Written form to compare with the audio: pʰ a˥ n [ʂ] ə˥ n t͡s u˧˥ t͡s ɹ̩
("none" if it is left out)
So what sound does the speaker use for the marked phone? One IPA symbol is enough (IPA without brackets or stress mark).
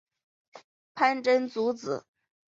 ʈ͡ʂ